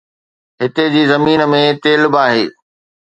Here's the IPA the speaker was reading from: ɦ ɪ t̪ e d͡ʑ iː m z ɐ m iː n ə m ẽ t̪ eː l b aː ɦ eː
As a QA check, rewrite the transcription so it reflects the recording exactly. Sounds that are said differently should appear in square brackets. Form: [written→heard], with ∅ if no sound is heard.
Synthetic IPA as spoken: ɦ ɪ t̪ e d͡ʑ iː [m→∅] z ɐ m iː n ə m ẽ t̪ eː l b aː ɦ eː